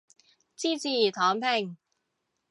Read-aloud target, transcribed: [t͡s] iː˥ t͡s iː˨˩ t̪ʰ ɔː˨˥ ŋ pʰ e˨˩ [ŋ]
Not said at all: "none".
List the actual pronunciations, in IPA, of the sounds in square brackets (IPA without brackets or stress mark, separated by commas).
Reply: t͡s, ŋ